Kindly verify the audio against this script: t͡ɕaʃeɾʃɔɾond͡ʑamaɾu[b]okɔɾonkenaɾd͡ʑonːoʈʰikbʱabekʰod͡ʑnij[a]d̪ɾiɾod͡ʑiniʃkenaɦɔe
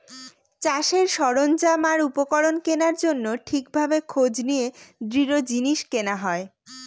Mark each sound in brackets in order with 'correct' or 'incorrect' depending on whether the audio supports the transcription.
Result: incorrect: p, incorrect: e

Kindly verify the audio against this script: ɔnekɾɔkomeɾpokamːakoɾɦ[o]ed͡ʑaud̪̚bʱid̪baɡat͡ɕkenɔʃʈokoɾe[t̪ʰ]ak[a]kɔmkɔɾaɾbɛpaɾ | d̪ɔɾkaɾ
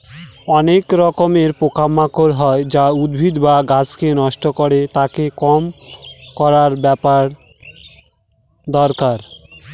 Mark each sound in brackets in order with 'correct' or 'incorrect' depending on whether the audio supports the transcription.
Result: incorrect: ɔ, incorrect: t̪, incorrect: e

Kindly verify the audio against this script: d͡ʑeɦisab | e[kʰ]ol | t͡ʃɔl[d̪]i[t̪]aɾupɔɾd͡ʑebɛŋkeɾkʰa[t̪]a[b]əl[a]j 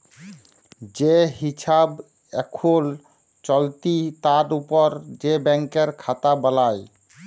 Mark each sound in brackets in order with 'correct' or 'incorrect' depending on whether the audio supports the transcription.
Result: correct, incorrect: t̪, correct, correct, correct, correct

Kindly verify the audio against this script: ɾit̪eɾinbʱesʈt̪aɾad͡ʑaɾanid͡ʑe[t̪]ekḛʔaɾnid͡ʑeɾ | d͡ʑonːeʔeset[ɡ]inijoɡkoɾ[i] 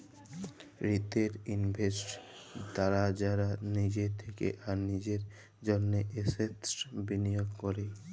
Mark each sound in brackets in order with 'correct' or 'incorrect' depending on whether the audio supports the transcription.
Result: incorrect: t̪ʰ, incorrect: b, incorrect: e

